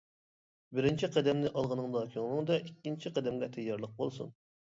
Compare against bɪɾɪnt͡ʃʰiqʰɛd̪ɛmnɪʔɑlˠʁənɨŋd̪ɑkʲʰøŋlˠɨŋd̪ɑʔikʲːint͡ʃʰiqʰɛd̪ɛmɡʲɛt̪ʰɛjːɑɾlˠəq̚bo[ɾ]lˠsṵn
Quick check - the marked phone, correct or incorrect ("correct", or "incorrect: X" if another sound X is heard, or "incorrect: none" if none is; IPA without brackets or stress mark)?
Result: incorrect: none